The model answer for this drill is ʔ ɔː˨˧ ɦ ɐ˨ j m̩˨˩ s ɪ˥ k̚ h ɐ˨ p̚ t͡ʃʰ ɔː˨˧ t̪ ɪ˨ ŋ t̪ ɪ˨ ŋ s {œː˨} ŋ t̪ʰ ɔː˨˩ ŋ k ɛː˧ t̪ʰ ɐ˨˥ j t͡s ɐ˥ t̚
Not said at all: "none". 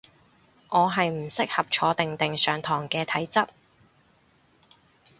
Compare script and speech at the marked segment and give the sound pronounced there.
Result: œː˨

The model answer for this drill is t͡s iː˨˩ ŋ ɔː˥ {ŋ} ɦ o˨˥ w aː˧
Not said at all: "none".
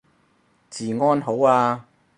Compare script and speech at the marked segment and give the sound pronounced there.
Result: n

